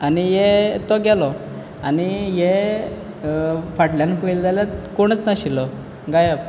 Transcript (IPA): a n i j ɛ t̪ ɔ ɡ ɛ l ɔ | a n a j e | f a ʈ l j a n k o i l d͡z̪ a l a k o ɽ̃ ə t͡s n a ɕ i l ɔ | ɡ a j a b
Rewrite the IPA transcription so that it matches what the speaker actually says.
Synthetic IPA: a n i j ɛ t̪ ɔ ɡ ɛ l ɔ | a n i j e | f a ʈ l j a n k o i l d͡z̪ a l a k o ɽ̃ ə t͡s n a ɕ i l ɔ | ɡ a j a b